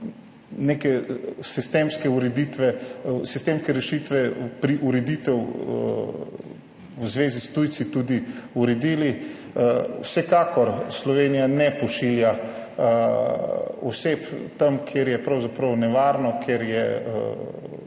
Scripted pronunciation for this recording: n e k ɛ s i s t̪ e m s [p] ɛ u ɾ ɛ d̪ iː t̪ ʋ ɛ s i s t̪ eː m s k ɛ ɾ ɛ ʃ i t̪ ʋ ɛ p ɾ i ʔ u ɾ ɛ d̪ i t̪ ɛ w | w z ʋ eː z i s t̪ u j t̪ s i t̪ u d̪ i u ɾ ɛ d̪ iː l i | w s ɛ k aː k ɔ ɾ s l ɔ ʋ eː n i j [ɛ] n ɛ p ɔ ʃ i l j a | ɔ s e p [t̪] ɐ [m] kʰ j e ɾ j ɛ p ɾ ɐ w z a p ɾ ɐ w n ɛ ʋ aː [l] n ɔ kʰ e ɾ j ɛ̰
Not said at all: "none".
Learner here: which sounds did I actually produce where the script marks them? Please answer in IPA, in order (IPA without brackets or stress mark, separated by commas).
k, a, t̪, m, ɾ